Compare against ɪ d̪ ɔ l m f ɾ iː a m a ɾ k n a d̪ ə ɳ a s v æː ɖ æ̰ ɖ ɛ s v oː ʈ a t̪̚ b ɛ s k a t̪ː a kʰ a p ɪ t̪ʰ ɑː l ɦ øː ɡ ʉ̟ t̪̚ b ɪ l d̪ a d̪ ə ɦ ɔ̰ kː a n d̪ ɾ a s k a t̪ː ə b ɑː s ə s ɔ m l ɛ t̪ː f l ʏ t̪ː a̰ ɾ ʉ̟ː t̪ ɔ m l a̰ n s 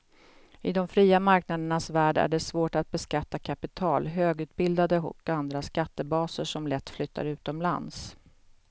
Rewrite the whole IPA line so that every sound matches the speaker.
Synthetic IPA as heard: ɪ d̪ ɔ m f ɾ iː a m a ɾ k n a d̪ ə ɳ a s v æː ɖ æ̰ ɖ ɛ s v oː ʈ a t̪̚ b ɛ s k a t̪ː a kʰ a p ɪ t̪ʰ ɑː l ɦ øː ɡ ʉ̟ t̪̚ b ɪ l d̪ a d̪ ə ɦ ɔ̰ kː a n d̪ ɾ a s k a t̪ː ə b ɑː s ə ʂ ɔ m l ɛ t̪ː f l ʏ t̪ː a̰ ɾ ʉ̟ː t̪ ɔ m l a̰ n s